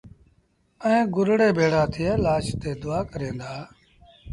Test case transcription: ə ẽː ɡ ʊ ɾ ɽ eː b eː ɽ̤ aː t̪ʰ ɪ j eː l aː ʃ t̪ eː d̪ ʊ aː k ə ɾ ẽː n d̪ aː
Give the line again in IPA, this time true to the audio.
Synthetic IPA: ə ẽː ɡ ʊ ɾ ɽ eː b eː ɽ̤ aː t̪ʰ ɪ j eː l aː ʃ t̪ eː d̪ ʊ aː k ə ɾ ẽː n d̪ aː

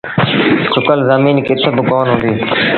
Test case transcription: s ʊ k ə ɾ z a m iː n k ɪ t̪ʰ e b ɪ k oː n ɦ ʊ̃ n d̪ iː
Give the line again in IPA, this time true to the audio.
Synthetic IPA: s ʊ k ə l z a m iː n k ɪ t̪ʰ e b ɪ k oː n ɦ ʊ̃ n d̪ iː

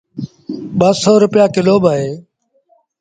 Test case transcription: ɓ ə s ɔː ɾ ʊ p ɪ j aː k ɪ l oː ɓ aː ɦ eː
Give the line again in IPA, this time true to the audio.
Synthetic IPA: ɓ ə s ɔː ɾ ʊ p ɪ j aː k ɪ l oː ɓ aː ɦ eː

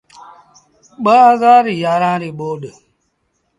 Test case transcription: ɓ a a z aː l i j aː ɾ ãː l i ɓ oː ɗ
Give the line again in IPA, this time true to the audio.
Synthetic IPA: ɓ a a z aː ɾ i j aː ɾ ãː ɾ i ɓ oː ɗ

